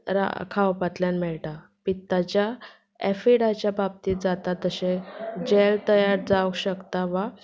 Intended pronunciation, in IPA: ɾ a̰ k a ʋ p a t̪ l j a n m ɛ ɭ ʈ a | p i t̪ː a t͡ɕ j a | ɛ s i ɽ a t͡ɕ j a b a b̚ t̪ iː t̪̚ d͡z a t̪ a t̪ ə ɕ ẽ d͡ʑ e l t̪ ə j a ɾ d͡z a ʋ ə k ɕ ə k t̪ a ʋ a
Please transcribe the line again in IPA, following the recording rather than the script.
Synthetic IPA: ɾ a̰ kʰ a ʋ p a t̪ l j a n m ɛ ɭ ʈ a | p i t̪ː a t͡ɕ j a | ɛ f i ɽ a t͡ɕ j a b a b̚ t̪ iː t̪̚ d͡z a t̪ a t̪ ə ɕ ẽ d͡ʑ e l t̪ ə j a ɾ d͡z a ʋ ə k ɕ ə k t̪ a ʋ a

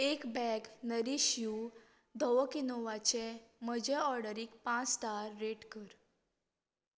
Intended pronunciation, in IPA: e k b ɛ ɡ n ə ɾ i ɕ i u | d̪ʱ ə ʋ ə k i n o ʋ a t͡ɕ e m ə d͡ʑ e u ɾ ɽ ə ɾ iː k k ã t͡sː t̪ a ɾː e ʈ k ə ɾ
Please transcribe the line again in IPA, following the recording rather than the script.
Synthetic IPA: e k b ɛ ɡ n ə ɾ i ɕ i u | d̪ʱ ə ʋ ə k i n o ʋ a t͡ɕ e m ə d͡ʑ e ɔ ɾ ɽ ə ɾ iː k p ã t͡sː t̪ a ɾː e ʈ k ə ɾ

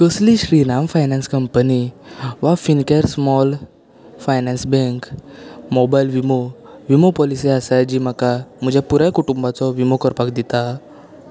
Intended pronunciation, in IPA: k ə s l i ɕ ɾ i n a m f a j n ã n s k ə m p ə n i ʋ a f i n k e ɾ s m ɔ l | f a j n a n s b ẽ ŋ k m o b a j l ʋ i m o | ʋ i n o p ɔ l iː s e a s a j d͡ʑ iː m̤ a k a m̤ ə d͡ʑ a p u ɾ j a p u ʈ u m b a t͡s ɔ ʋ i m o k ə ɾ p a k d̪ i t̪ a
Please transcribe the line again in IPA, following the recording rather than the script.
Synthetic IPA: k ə s l i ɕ ɾ i n a m f a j n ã n s k ə m p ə n i ʋ a f i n k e ɾ s m ɔ l | f a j n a n s b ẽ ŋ k m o b a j l ʋ i m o | ʋ i m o p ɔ l i s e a s a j d͡ʑ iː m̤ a k a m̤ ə d͡ʑ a p u ɾ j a k u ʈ u m b a t͡s ɔ ʋ i m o k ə ɾ p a k d̪ i t̪ a

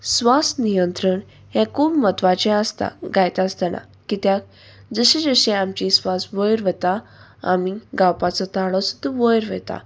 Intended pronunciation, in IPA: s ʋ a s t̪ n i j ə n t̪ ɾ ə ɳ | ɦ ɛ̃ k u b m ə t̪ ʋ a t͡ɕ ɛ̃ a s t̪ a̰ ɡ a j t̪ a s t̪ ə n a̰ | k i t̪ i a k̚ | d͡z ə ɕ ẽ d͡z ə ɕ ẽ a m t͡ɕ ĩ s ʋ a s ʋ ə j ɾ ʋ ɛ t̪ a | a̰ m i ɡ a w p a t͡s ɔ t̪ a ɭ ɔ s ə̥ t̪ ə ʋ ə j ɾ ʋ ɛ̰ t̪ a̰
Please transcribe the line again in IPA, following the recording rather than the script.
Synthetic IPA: s ʋ a s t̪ n i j ə n t̪ ɾ ə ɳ | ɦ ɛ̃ k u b m ə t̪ ʋ a t͡ɕ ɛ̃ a s t̪ a̰ ɡ a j t̪ a s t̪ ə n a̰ | k i t̪ j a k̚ | d͡z ə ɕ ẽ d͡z ə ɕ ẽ a m t͡ɕ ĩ s ʋ a s ʋ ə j ɾ ʋ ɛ t̪ a | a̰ m i ɡ a w p a t͡s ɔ t̪ a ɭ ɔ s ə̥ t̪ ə ʋ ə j ɾ ʋ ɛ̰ t̪ a̰

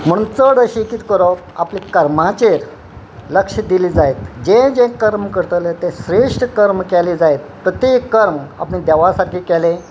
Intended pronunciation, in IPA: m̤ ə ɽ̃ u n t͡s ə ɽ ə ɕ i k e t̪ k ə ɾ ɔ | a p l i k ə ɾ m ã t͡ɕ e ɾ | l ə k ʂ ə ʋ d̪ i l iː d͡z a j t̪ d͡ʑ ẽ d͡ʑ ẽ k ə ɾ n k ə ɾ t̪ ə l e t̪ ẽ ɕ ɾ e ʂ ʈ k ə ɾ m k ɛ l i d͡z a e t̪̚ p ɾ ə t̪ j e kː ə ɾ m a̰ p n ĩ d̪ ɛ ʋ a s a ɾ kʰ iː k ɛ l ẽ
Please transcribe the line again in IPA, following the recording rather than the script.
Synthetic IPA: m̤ ə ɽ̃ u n t͡s ə ɽ ə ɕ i k i t̪ k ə ɾ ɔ | a p l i k ə ɾ m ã t͡ɕ e ɾ | l ə k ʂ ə d̪ i l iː d͡z a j t̪ d͡ʑ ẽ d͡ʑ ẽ k ə ɾ m k ə ɾ t̪ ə l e t̪ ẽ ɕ ɾ e ʂ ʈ k ə ɾ m k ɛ l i d͡z a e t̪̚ p ɾ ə t̪ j e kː ə ɾ m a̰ p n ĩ d̪ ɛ ʋ a s a ɾ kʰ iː k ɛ l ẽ

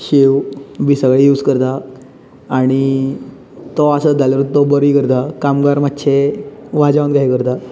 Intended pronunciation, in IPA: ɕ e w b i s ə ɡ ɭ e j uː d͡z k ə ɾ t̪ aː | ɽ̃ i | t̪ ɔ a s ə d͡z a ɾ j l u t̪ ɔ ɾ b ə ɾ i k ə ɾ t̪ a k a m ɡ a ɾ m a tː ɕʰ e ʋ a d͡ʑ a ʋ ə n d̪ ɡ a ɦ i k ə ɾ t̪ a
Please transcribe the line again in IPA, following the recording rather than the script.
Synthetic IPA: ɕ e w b i s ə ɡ ɭ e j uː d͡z k ə ɾ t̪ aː | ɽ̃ i | t̪ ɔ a s ə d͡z a l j ɾ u t̪ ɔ b ə ɾ i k ə ɾ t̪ a k a m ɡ a ɾ m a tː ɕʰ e ʋ a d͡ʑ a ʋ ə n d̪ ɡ a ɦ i k ə ɾ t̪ a

